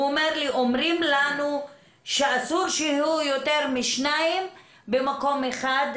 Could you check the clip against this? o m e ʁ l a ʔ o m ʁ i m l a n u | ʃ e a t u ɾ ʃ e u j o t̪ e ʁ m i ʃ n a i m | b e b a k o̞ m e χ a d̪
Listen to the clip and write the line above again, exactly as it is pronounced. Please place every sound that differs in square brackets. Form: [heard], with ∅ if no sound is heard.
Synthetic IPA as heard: o m e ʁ l [i] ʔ o m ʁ i m l a n u | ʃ e a [s] u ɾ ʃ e u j o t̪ e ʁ m i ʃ n a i m | b e [m] a k o̞ m e χ a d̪